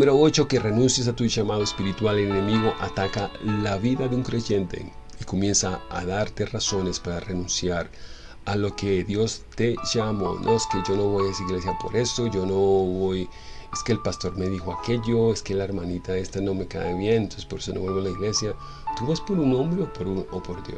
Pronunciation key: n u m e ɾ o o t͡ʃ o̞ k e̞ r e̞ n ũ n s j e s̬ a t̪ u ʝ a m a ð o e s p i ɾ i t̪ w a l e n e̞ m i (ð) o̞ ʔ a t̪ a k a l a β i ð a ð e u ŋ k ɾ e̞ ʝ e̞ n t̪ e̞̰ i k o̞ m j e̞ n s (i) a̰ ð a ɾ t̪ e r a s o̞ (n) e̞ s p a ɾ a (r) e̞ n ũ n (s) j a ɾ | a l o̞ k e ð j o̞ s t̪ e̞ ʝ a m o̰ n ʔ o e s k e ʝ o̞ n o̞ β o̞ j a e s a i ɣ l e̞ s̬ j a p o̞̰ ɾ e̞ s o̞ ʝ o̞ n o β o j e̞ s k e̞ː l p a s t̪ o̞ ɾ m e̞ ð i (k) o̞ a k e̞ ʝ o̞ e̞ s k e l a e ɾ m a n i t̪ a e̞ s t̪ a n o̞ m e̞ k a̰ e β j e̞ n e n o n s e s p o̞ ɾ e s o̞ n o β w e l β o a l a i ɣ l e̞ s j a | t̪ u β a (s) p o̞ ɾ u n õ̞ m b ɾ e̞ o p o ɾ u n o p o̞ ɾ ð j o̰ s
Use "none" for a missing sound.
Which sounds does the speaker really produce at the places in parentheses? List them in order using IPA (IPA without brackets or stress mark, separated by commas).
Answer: ɣ, a, n, r, s, x, s